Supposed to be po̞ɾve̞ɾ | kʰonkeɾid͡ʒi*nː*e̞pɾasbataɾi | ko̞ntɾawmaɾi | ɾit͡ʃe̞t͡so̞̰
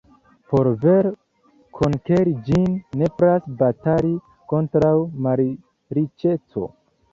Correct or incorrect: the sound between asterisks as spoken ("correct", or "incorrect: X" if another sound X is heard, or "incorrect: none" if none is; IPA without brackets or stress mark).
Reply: correct